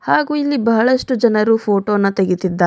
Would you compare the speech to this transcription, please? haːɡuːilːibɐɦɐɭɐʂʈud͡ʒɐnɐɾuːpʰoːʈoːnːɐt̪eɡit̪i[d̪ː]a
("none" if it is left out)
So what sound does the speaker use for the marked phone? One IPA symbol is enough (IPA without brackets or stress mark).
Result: d̪ː